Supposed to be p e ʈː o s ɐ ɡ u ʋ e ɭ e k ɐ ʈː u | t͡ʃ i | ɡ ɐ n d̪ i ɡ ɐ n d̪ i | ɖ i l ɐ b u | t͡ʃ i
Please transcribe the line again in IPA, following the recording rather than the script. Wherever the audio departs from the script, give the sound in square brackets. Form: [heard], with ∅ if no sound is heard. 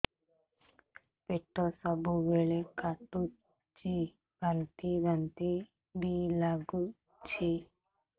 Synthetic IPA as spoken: p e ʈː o s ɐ [b] u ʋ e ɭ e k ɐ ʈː u | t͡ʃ i | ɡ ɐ n [t̪] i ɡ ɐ n [t̪] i | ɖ i l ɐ [ɡ] u | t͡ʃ i